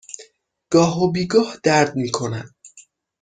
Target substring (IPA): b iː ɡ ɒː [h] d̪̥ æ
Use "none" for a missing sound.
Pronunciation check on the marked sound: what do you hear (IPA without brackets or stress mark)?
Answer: h